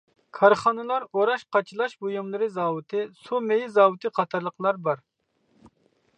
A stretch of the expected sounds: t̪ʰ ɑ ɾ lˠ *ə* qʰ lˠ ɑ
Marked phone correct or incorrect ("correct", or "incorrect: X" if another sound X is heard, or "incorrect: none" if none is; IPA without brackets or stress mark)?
correct